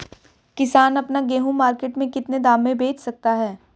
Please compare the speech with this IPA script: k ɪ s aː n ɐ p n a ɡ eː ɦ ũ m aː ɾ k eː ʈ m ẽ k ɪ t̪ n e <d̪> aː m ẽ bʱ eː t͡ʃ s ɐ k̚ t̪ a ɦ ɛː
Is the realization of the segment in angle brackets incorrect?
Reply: no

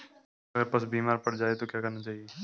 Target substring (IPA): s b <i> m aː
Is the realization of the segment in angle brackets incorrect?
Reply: yes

